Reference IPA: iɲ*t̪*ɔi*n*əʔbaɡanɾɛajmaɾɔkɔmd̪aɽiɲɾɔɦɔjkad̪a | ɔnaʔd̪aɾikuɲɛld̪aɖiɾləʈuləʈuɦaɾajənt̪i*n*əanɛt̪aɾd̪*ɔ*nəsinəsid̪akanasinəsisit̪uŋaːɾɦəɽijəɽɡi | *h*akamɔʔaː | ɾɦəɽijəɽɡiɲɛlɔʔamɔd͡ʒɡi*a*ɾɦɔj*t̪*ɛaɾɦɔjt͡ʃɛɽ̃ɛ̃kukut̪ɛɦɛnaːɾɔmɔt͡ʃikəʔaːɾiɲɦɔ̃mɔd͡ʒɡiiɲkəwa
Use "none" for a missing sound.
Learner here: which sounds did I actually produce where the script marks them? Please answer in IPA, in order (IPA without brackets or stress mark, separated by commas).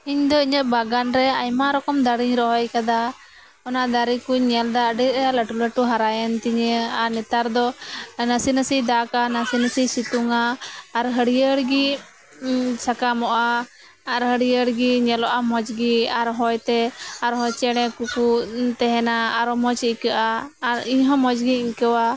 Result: d̪, ɲ, ɲ, ɔ, s, a, t̪